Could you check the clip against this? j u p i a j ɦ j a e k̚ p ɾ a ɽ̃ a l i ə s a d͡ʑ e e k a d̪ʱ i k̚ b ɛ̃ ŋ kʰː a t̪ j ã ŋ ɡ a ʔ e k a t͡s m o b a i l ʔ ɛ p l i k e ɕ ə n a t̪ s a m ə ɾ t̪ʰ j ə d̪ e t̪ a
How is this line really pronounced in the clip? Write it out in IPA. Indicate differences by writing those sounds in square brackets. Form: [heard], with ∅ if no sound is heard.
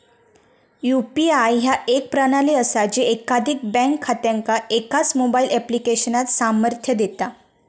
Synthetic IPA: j u p i a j ɦ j a e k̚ p ɾ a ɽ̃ a l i ə s a d͡ʑ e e k a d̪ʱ i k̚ b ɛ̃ ŋ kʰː a t̪ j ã ŋ [k] a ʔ e k a t͡s m o b a i l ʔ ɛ p l i k e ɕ ə n a t̪ s a m ə ɾ t̪ʰ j ə d̪ e t̪ a

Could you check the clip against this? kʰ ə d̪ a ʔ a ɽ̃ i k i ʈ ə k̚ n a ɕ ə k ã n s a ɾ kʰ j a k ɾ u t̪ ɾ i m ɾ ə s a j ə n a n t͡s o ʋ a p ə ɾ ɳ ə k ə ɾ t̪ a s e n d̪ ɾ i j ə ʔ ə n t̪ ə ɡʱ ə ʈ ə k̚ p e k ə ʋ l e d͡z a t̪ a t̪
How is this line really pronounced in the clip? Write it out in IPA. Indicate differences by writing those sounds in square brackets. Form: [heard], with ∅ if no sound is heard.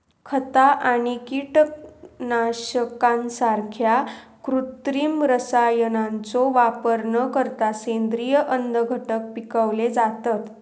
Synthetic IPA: kʰ ə [t̪] a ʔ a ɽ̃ i k i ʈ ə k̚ n a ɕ ə k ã n s a ɾ kʰ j a k ɾ u t̪ ɾ i m ɾ ə s a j ə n a n t͡s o ʋ a p ə ɾ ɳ ə k ə ɾ t̪ a s e n d̪ ɾ i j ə ʔ ə n [d̪] ə ɡʱ ə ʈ ə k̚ p [i] k ə ʋ l e d͡z a t̪ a t̪

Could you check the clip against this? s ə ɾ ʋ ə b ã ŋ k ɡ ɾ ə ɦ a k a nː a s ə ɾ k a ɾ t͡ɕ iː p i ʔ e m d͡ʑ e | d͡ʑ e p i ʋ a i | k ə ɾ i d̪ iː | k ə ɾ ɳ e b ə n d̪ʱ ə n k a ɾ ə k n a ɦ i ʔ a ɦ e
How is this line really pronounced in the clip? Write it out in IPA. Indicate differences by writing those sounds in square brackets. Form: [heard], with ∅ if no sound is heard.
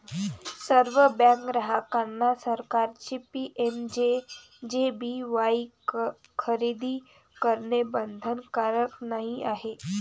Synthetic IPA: s ə ɾ ʋ ə b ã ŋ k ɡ ɾ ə ɦ a k a nː a s ə ɾ k a ɾ t͡ɕ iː p i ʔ e m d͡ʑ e | d͡ʑ e [b] i ʋ a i | [kʰ] ə ɾ i d̪ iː | k ə ɾ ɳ e b ə n d̪ʱ ə n k a ɾ ə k n a ɦ i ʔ a ɦ e

